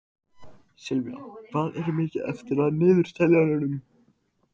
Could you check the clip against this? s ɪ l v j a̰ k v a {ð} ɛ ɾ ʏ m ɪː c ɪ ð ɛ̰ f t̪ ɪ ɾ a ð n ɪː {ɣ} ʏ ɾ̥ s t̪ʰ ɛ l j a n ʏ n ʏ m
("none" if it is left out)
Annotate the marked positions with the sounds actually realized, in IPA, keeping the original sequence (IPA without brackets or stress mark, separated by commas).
ð, ð